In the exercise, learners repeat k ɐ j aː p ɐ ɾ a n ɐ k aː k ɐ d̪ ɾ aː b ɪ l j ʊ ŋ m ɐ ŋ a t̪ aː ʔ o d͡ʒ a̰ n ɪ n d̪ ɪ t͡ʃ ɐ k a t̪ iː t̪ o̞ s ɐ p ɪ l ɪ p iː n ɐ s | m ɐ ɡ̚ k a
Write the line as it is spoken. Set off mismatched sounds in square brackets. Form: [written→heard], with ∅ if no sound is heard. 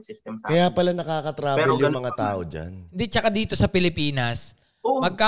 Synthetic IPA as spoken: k ɐ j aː p ɐ [ɾ→l] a n ɐ k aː k ɐ [d̪→t̪] ɾ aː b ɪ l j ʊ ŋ m ɐ ŋ a t̪ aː ʔ o d͡ʒ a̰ n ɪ n d̪ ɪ t͡ʃ ɐ k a [t̪→d̪] iː t̪ o̞ s ɐ p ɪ l ɪ p iː n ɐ s | m ɐ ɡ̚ k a